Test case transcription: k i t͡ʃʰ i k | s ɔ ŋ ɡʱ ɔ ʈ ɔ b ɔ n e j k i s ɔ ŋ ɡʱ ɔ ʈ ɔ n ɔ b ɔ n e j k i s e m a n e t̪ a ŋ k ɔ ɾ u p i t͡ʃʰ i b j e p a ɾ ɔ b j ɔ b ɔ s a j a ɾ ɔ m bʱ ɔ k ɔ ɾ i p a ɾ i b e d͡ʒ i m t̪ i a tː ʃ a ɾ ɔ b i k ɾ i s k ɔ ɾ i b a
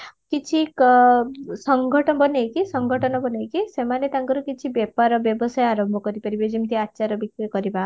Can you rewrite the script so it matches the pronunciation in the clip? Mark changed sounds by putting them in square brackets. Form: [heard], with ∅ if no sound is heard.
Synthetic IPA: k i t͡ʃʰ i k | s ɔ ŋ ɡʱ ɔ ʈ ɔ b ɔ n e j k i s ɔ ŋ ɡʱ ɔ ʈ ɔ n ɔ b ɔ n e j k i s e m a n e t̪ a ŋ k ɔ ɾ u [k] i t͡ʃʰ i b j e p a ɾ ɔ b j ɔ b ɔ s a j a ɾ ɔ m bʱ ɔ k ɔ ɾ i p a ɾ i b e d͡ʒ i m t̪ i a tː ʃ a ɾ ɔ b i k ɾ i [∅] k ɔ ɾ i b a